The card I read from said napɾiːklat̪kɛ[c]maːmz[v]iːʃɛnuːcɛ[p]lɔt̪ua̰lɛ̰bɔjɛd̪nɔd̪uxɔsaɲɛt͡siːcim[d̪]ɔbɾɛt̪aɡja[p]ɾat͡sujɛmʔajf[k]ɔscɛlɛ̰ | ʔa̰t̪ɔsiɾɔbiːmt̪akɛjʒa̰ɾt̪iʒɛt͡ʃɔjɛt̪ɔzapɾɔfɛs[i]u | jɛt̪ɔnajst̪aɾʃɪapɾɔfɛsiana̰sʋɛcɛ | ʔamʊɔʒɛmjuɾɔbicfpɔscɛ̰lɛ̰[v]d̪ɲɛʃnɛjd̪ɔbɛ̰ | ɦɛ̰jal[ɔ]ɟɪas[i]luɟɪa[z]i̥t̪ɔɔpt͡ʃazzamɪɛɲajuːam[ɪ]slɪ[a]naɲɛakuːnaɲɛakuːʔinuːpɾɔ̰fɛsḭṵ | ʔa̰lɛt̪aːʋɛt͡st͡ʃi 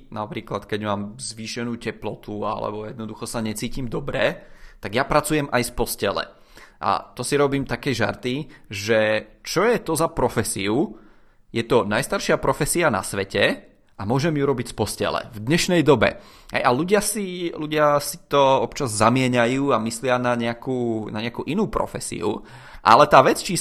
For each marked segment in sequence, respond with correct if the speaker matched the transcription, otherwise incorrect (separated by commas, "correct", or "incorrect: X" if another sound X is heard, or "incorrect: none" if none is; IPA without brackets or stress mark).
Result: incorrect: ɟ, incorrect: ʋ, correct, correct, correct, incorrect: p, correct, correct, incorrect: u, correct, incorrect: s, incorrect: i, correct